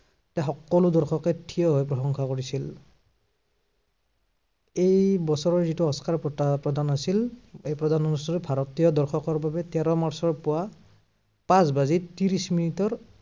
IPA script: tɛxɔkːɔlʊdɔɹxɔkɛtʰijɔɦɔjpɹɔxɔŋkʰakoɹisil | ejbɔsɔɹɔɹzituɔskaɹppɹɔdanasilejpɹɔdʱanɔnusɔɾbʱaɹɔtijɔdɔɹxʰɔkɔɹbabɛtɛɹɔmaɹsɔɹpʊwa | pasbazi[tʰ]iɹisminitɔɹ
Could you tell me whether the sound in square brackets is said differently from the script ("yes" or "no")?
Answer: yes